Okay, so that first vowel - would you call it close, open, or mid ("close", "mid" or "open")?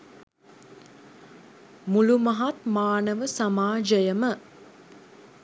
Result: close